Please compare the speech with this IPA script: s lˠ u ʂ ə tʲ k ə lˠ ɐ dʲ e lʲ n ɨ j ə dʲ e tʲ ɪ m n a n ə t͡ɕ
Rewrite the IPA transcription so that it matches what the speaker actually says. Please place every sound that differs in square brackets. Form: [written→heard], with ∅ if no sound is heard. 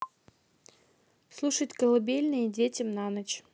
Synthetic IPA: s lˠ u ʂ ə tʲ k ə lˠ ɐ [dʲ→bʲ] e lʲ n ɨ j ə dʲ e tʲ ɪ m n a n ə t͡ɕ